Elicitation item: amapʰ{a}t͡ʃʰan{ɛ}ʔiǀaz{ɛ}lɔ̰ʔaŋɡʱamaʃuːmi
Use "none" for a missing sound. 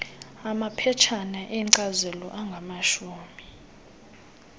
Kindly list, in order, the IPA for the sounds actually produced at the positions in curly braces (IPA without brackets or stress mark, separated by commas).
ɛ, a, ɛ